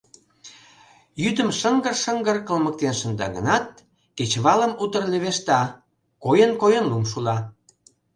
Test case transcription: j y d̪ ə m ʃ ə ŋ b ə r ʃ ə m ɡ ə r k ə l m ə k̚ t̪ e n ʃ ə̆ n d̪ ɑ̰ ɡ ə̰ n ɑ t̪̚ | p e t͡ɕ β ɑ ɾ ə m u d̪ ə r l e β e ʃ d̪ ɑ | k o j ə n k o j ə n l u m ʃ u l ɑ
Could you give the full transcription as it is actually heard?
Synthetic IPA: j y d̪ ə m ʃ ə ŋ ɡ ə r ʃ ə ŋ ɡ ə r k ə l m ə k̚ t̪ e n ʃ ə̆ n d̪ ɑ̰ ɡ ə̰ n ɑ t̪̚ | k e t͡ɕ β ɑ l ə m u t̪ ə r l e β e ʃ t̪ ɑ | k o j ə n k o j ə n l u m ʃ u l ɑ